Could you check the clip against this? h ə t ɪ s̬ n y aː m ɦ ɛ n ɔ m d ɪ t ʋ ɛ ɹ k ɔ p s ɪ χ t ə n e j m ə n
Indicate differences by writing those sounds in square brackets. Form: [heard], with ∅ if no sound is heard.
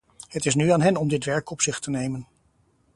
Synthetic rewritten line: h ə t ɪ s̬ n y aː [n] ɦ ɛ n ɔ m d ɪ t ʋ ɛ ɹ k ɔ p s ɪ χ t ə n e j m ə n